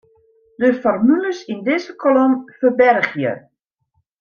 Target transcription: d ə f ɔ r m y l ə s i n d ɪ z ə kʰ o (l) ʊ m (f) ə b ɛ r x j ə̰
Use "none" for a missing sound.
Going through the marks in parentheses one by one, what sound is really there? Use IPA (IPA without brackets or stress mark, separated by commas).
l, f